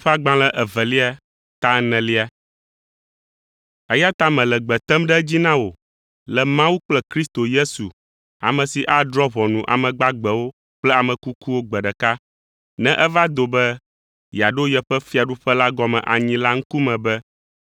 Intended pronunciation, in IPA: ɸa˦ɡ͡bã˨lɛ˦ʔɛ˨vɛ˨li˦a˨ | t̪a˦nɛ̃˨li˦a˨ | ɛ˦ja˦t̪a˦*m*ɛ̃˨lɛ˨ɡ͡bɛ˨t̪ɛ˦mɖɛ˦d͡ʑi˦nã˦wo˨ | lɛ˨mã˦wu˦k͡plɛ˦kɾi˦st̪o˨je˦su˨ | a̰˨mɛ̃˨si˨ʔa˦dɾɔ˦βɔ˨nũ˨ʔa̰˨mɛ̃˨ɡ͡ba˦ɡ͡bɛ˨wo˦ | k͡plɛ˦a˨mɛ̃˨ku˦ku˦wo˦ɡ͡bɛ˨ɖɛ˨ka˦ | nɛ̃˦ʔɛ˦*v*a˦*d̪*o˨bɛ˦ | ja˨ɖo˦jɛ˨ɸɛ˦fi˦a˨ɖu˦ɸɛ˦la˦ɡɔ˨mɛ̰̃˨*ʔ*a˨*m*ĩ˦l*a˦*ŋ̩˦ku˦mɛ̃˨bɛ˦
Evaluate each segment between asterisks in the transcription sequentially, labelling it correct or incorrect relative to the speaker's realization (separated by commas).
correct, correct, correct, correct, incorrect, correct